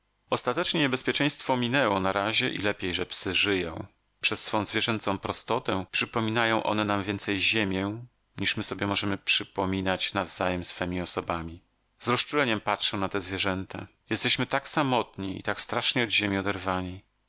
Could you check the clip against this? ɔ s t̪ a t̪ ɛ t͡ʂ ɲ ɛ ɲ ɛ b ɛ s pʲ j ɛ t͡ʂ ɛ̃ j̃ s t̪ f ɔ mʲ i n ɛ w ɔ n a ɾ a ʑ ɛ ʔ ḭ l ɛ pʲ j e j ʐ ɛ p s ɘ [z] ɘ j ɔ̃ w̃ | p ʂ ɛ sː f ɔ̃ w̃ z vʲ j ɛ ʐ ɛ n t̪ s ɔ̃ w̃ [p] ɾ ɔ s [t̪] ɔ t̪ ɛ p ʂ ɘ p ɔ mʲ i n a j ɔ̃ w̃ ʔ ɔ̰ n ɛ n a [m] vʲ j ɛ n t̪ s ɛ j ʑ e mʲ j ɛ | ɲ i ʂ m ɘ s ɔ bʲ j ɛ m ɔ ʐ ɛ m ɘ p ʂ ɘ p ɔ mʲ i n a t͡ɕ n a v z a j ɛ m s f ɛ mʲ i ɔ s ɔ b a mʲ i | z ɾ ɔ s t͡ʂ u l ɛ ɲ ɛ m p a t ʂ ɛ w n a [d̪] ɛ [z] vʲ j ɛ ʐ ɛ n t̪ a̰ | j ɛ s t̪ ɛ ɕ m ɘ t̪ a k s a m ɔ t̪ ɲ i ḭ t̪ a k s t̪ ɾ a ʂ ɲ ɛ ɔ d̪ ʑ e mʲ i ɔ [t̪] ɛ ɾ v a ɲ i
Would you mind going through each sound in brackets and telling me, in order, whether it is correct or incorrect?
incorrect: ʐ, correct, correct, correct, incorrect: t̪, correct, incorrect: d̪

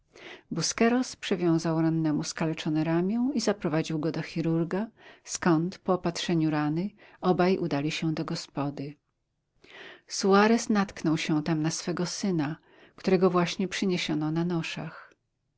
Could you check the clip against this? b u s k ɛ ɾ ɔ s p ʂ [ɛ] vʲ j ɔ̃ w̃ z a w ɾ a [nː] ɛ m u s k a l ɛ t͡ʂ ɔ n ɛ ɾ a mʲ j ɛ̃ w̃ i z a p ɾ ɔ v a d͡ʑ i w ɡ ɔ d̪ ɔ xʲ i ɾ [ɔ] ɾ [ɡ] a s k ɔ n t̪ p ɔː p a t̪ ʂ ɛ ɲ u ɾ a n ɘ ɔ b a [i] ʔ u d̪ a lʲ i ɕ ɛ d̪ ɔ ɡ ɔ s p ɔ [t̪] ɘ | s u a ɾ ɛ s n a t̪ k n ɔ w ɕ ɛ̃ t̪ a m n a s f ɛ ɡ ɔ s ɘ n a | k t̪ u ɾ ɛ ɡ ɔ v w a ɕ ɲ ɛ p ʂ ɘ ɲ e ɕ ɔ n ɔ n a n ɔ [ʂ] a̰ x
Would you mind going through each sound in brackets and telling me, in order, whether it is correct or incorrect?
correct, correct, incorrect: u, correct, incorrect: j, incorrect: d̪, correct

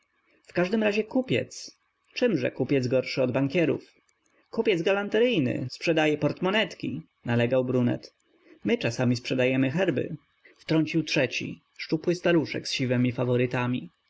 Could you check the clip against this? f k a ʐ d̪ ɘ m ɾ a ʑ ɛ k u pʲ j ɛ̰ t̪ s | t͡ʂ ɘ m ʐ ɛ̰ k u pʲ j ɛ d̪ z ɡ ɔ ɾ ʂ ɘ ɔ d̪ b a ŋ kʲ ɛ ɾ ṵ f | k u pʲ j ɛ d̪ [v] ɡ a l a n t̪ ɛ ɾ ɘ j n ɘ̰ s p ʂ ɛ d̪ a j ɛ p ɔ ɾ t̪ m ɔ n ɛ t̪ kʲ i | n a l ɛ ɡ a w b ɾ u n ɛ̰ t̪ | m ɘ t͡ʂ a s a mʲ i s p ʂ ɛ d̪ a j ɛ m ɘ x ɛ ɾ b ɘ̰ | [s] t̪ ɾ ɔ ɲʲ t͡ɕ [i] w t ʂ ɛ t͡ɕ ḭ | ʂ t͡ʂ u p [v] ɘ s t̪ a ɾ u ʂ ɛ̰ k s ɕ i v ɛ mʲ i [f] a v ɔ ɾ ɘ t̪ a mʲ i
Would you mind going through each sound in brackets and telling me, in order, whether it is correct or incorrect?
incorrect: z, incorrect: f, correct, incorrect: w, correct

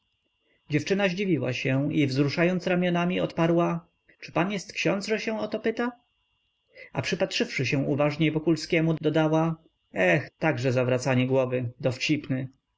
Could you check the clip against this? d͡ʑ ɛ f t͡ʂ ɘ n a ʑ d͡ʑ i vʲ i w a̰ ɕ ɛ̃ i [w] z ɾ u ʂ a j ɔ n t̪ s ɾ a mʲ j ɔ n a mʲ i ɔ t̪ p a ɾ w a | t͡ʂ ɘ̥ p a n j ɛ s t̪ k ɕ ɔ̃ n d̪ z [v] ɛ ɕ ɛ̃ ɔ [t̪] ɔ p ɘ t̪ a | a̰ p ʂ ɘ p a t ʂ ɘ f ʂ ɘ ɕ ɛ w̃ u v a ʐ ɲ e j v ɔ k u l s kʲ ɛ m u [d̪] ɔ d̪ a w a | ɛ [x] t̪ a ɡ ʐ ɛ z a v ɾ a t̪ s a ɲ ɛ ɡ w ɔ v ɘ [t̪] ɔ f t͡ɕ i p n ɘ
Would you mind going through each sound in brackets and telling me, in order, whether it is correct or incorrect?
incorrect: v, incorrect: ʐ, correct, correct, correct, incorrect: d̪

